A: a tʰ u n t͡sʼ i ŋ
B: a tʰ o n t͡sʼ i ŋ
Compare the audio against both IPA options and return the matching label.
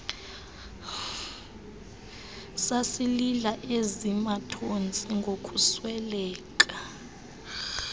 B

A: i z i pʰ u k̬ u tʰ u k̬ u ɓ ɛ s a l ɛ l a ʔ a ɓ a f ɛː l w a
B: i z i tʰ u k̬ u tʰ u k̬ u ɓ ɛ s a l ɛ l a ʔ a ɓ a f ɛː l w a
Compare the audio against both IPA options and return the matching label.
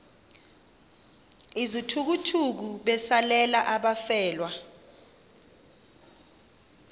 B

